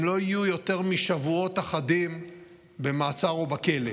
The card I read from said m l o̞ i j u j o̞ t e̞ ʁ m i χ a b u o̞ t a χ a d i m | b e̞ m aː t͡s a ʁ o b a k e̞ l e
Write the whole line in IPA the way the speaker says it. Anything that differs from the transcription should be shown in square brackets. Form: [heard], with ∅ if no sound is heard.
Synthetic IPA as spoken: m l o̞ i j u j o̞ t e̞ ʁ m i [ʃ] a [v] u o̞ t a χ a d i m | b e̞ m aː t͡s a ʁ o b a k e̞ l e

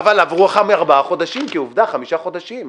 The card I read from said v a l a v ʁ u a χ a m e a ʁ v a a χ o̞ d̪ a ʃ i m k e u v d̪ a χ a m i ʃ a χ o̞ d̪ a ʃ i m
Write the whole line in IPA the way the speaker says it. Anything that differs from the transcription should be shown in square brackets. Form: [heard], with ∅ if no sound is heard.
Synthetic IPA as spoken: v a l a v ʁ u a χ a m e a ʁ [b] a a χ o̞ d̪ a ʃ i m k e u v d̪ a χ a m i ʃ a χ o̞ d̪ a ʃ i m

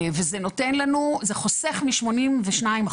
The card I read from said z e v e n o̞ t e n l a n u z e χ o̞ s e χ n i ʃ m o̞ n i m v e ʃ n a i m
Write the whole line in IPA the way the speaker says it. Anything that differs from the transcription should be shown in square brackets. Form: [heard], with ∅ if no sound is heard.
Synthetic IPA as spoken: [v] e [z] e n o̞ t e n l a n u z e χ o̞ s e χ [m] i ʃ m o̞ n i m v e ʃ n a i m

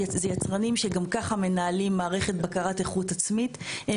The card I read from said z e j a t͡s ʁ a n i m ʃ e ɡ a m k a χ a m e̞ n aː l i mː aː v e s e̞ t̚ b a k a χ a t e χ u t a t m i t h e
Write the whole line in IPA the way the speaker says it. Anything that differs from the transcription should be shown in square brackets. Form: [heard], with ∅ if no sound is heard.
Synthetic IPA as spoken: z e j a t͡s ʁ a n i m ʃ e ɡ a m k a χ a m e̞ n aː l i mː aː [ʁ] e [χ] e̞ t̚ b a k a [ʁ] a t e χ u t a [t͡s] m i t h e

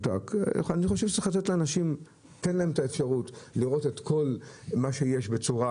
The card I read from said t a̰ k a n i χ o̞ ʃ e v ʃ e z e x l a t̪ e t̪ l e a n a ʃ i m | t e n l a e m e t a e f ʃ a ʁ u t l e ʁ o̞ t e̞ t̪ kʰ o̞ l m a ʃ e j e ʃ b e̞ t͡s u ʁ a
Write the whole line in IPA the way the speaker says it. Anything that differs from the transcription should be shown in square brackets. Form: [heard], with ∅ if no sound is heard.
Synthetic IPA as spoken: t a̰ k a n i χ o̞ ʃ e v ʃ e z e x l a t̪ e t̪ l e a n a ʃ i m | t e n l a e m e t a e f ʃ a ʁ u t l [i] ʁ o̞ t e̞ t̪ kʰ o̞ l m a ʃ e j e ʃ b e̞ t͡s u ʁ a

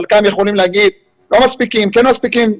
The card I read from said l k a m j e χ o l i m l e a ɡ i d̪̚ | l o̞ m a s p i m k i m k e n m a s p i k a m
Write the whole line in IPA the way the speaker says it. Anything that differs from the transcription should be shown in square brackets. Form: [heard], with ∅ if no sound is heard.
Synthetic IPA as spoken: l k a m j e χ o l i m l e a ɡ i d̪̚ | l o̞ m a s p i [∅] k i m k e n m a s p i k [i] m

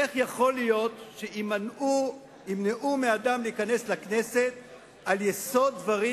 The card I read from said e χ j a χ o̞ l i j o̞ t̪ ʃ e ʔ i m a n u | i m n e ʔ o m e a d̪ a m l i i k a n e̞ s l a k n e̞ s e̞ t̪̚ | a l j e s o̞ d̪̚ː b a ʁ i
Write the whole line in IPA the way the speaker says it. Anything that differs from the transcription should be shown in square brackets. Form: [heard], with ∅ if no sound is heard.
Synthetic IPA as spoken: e χ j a χ o̞ l i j o̞ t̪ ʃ e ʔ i m a n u | i m n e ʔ [u] m e a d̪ a m l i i k a n e̞ s l a k n e̞ s e̞ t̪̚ | a l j e s o̞ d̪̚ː [v] a ʁ i

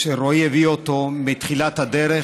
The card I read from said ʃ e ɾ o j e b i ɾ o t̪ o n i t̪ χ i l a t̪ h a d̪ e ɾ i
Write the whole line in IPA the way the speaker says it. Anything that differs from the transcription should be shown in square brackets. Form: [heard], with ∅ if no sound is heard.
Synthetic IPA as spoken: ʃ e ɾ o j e [v] i [∅] o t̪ o [m] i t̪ χ i l a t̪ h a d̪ e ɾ [e]

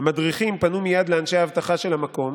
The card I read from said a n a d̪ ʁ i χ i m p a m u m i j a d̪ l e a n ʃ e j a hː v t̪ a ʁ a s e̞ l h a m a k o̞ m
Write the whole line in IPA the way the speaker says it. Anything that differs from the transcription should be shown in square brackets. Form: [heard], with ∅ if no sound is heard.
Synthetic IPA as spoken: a [m] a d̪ ʁ i χ i m p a [n] u m i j a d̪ l e a n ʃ e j a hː v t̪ a [χ] a [ʃ] e̞ l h a m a k o̞ m

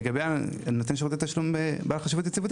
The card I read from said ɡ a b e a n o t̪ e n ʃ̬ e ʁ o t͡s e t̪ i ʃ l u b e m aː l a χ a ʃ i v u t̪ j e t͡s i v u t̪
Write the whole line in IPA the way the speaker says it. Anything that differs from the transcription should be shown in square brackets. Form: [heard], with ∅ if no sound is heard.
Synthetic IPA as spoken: ɡ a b e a n o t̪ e n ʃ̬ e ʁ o t͡s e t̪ [a] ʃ l u [m] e [b] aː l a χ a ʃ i v u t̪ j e t͡s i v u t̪

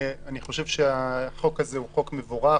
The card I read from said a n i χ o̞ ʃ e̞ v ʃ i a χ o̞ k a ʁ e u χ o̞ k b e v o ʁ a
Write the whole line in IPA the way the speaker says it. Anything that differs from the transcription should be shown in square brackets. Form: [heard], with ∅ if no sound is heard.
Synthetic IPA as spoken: a n i χ o̞ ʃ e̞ v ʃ [e] a χ o̞ k a [z] e u χ o̞ k [m] e v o ʁ a

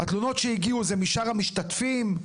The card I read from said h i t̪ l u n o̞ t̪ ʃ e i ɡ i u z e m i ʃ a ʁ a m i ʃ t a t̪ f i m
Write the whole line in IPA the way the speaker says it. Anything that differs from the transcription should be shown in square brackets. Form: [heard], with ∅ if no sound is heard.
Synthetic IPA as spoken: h [a] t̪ l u n o̞ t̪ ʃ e i ɡ i u z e m i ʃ a ʁ a m i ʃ t a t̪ f i m

